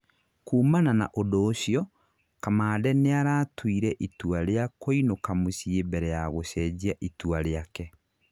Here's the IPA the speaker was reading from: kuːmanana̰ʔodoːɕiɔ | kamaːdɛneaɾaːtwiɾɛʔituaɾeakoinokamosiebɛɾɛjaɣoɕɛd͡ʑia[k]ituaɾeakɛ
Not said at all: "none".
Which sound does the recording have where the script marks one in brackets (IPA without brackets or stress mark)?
ʔ